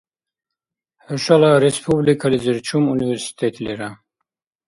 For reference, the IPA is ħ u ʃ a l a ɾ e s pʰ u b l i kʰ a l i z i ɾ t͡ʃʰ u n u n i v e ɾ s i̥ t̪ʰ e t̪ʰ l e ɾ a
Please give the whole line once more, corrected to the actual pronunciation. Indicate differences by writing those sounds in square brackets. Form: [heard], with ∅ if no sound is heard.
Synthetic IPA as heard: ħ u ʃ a l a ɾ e s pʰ u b l i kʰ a l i z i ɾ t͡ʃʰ u [m] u n i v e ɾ s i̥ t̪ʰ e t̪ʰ l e ɾ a